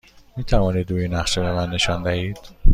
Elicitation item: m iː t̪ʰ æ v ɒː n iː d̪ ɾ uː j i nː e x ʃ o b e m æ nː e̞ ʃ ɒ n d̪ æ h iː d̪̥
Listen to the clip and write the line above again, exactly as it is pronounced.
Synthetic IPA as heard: m iː t̪ʰ æ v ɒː n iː d̪ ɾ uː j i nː æ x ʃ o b e m æ nː e̞ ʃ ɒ n d̪ æ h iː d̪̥